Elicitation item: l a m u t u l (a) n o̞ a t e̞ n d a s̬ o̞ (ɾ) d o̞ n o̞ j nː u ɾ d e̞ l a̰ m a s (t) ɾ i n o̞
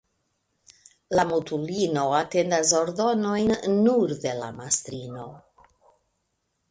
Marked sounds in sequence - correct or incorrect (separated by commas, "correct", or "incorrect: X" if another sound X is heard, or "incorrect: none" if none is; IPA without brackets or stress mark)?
incorrect: i, correct, correct